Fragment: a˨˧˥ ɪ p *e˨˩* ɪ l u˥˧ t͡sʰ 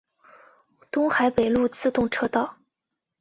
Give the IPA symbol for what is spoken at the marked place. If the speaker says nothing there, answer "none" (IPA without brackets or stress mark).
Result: e˨˩